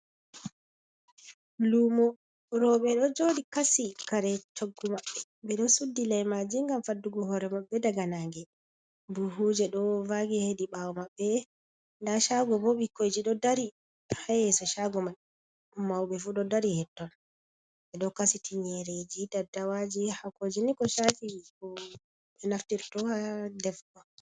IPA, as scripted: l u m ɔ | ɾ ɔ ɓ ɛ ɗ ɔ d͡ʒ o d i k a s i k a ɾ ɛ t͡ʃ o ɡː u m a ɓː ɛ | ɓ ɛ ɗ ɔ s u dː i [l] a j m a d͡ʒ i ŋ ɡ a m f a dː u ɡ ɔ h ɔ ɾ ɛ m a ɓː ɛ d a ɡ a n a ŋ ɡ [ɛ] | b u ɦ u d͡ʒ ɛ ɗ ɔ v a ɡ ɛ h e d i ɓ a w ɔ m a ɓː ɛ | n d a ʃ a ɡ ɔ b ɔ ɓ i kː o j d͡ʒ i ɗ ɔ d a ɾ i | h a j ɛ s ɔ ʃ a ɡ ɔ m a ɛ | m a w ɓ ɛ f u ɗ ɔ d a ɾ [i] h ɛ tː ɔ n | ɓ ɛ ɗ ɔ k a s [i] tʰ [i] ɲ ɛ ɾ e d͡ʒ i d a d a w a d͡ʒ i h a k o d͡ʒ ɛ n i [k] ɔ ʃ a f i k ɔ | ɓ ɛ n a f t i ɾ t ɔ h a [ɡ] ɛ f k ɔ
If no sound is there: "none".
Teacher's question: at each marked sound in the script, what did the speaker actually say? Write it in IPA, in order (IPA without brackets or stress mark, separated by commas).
l, ɛ, i, i, i, k, d